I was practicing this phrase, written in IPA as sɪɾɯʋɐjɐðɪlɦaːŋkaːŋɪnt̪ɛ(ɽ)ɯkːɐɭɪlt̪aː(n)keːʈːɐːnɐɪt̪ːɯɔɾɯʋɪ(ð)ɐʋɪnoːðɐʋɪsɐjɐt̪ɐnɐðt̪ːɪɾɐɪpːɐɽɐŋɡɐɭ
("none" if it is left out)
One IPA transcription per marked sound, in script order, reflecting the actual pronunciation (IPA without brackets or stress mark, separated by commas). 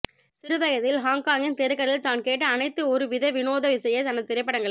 ɾ, n, ð